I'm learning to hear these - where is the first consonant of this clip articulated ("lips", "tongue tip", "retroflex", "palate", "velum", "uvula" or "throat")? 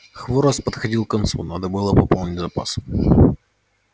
velum